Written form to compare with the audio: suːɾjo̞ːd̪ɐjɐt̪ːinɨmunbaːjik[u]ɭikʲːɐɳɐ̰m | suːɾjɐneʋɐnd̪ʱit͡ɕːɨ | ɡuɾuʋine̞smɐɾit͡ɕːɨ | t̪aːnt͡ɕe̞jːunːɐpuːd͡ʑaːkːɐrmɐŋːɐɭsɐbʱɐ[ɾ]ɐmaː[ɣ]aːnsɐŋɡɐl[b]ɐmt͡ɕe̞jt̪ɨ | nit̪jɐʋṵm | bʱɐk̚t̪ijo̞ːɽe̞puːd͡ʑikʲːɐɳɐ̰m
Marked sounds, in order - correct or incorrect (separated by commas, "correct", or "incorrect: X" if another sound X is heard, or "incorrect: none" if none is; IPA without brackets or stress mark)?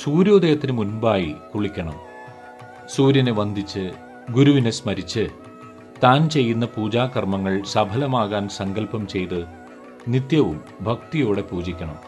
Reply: correct, incorrect: l, correct, incorrect: p